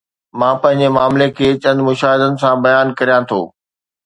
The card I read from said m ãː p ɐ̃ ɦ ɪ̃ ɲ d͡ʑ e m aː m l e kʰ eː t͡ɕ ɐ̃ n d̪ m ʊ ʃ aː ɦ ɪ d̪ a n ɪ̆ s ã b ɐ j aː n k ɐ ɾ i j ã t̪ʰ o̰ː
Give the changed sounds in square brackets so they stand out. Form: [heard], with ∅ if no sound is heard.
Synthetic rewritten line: m ãː p ɐ̃ ɦ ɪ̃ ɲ d͡ʑ e m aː m l e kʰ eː t͡ɕ ɐ̃ n d̪ m ʊ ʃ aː ɦ ɪ d̪ [ə] n ɪ̆ s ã b ɐ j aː n k ɐ ɾ i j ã t̪ʰ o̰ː